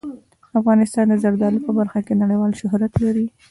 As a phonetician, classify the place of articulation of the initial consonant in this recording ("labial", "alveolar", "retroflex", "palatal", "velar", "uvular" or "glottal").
labial